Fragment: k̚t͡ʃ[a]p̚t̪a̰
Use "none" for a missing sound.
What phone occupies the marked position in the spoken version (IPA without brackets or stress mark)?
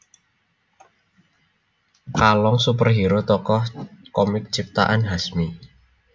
i